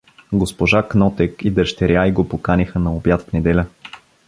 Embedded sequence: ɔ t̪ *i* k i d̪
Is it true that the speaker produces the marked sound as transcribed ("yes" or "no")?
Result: no